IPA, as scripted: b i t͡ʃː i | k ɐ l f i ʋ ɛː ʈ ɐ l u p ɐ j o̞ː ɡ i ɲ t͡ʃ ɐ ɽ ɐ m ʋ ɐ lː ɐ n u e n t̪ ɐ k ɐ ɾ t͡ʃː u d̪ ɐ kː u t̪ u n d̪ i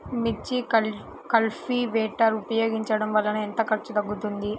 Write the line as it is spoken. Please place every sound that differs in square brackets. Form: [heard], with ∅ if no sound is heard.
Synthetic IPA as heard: [m] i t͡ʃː i | k ɐ l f i ʋ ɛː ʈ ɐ [ɾ] u p ɐ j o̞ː ɡ i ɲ t͡ʃ ɐ ɽ ɐ m ʋ ɐ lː ɐ n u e n t̪ ɐ k ɐ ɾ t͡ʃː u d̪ ɐ [ɡː] u t̪ u n d̪ i